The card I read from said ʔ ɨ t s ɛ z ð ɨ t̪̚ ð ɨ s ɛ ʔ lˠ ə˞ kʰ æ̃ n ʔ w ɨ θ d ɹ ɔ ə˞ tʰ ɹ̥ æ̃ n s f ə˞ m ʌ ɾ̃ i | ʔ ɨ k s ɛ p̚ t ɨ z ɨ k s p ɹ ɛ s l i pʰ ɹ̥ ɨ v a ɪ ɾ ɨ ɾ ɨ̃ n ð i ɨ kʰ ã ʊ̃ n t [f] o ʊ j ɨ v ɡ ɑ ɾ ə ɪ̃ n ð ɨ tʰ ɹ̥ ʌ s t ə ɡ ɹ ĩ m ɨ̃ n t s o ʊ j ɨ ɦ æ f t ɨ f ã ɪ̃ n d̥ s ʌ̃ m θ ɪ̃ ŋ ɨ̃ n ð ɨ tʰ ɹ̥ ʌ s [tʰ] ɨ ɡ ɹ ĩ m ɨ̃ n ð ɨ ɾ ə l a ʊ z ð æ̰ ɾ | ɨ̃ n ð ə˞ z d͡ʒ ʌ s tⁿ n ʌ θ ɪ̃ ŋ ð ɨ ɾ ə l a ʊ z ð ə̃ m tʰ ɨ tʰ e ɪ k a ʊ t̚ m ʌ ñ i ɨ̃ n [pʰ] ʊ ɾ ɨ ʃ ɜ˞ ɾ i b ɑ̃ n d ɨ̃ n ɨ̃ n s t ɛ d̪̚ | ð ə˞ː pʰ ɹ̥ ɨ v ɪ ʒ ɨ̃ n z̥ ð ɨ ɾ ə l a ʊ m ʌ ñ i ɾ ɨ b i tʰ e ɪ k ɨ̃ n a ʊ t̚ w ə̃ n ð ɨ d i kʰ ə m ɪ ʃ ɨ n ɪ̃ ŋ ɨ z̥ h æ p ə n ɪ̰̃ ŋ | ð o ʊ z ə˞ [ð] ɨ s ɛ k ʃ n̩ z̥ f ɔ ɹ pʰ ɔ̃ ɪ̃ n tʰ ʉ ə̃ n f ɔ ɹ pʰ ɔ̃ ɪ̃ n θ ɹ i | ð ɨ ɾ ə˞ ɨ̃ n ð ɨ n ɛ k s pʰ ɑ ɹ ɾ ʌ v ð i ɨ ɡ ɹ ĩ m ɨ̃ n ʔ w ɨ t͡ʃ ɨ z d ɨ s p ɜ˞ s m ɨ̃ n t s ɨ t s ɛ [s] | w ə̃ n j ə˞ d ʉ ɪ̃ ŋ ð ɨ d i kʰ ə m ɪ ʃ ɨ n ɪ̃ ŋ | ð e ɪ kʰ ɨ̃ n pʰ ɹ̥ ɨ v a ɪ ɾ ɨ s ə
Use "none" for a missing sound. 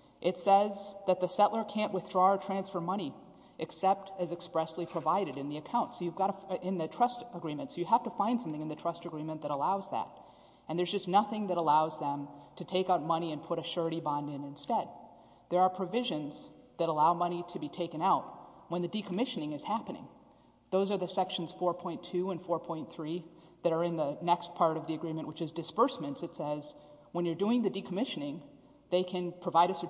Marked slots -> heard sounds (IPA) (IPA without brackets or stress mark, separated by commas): s, t, pʰ, ð, z